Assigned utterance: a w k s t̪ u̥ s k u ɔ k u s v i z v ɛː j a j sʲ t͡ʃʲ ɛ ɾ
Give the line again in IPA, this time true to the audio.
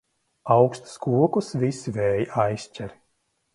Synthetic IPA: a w k s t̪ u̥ s k u ɔ k u s v i s v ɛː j a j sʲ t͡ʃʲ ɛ ɾ

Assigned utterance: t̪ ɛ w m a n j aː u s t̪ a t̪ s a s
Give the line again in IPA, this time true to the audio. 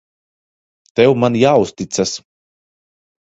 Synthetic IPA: t̪ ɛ w m a n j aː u s t̪ i t̪ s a s

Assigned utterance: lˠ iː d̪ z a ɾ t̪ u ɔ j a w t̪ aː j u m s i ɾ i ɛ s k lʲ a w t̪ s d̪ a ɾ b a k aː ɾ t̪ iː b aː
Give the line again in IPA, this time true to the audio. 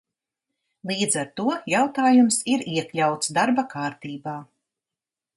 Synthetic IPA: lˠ iː d̪ z a ɾ t̪ u ɔ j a w t̪ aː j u m s i ɾ i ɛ k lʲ a w t̪ s d̪ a ɾ b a k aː ɾ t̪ iː b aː

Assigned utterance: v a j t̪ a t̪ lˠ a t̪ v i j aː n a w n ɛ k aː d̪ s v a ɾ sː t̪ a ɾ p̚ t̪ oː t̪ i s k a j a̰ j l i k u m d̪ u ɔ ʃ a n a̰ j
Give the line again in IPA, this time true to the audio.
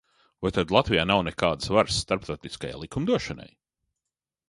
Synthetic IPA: v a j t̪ a d̪ lˠ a t̪ v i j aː n a w n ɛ k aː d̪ s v a ɾ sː t̪ a ɾ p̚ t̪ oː t̪ i s k a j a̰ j l i k u m d̪ u ɔ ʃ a n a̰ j

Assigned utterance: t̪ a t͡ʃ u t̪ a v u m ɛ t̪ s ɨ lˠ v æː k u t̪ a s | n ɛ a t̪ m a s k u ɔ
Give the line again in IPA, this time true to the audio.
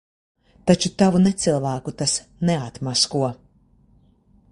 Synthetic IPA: t̪ a t͡ʃ u t̪ a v u n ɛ t̪ s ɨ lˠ v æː k u t̪ a s | n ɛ a t̪ m a s k u ɔ

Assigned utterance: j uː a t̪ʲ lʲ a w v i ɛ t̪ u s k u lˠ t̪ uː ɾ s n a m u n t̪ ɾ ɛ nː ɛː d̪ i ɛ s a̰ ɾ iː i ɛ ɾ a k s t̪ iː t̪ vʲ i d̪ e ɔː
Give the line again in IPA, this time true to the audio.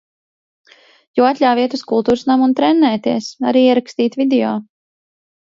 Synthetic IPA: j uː a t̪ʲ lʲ a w v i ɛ t̪ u s k u lˠ t̪ uː ɾ s n a m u n t̪ ɾ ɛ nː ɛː t̪ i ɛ s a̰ ɾ iː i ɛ ɾ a k s t̪ iː t̪ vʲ i d̪ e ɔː

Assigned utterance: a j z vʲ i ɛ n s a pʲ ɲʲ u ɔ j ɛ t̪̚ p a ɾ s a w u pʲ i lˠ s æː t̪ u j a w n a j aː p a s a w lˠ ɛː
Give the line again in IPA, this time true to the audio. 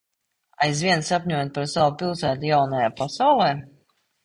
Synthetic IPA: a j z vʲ i ɛ n s a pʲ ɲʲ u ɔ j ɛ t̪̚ p a ɾ s a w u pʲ i lˠ s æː t̪ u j a w n a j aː p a s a w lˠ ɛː

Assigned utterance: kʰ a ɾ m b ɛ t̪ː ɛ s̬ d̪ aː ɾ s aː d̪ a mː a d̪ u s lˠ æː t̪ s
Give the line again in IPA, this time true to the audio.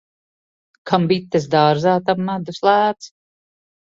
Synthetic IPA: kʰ a m b i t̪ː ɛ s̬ d̪ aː ɾ z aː t̪ a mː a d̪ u s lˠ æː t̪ s

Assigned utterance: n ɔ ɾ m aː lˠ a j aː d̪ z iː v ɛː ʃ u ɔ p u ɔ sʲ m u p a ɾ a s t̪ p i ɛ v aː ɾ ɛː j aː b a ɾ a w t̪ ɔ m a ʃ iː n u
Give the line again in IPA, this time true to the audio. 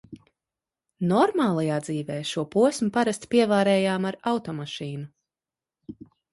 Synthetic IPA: n ɔ ɾ m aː lˠ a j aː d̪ z iː v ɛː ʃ u ɔ p u ɔ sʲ m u p a ɾ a s t̪ p i ɛ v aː ɾ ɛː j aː m a ɾ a w t̪ ɔ m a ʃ iː n u

